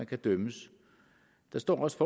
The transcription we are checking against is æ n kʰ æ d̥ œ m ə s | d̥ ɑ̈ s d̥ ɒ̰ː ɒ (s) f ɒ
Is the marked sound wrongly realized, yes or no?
no